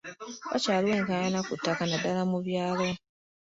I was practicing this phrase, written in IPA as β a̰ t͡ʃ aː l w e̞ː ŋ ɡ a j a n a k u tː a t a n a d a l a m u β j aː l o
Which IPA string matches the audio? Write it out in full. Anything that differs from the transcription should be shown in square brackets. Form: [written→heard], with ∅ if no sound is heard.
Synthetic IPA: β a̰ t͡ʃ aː l w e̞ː ŋ [ɡ→k] a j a n a k u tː a [t→k] a n a d a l a m u β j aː l o